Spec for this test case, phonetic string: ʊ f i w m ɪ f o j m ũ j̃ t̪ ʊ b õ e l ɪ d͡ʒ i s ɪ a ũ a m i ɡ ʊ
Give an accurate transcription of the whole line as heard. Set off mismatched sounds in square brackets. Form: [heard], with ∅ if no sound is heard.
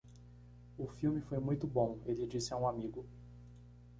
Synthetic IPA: ʊ f i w m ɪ f o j m ũ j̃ t̪ ʊ b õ e l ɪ d͡ʒ i s ɪ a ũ a m i ɡ ʊ